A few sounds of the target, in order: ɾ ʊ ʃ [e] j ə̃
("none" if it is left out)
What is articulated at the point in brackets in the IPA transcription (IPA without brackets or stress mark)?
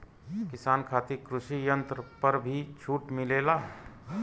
i